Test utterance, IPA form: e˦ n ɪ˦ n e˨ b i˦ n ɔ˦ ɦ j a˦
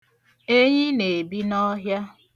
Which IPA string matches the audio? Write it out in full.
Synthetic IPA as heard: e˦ ɲ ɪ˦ n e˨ b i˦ n ɔ˦ ɦ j a˦

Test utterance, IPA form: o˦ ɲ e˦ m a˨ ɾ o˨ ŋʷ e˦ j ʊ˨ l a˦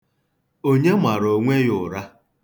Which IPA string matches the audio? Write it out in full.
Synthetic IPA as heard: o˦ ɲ e˦ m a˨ ɾ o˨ ŋʷ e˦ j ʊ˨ ɾ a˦

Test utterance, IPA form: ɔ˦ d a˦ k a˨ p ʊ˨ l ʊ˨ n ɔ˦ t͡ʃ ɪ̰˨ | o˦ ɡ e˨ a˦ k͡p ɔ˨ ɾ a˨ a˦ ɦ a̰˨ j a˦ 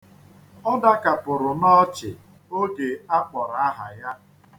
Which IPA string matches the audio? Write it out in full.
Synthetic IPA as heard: ɔ˦ d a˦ k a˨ p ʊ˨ ɾ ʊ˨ n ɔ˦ t͡ʃ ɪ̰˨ | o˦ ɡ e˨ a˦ k͡p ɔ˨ ɾ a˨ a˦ ɦ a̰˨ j a˦

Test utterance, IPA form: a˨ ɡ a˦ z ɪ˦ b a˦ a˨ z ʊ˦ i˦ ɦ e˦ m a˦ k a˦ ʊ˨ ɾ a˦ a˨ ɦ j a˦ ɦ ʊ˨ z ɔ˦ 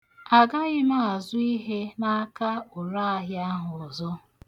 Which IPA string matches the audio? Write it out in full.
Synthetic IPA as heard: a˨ ɡ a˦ ɣ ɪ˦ m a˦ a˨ z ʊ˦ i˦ ɦ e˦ n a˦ k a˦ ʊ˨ ɾ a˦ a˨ ɦ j a˦ ɦ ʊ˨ z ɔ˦

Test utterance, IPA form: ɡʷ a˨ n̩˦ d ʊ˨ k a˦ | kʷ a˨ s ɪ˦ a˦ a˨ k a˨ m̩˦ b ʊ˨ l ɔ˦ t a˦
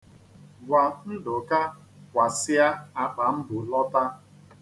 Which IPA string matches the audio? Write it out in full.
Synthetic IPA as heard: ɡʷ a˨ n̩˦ d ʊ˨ k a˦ | kʷ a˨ s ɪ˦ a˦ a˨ k͡p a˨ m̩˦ b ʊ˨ l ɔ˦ t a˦

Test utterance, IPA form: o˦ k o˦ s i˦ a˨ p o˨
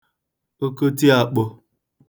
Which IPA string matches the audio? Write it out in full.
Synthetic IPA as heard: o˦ k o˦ t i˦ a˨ k͡p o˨

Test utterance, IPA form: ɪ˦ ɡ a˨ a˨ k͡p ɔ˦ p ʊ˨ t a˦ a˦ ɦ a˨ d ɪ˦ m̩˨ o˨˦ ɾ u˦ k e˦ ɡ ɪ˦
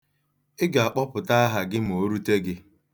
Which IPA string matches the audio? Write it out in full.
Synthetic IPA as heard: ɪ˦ ɡ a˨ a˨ k͡p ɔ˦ p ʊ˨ t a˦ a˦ ɦ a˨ ɡ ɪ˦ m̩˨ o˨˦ ɾ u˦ t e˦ ɡ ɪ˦

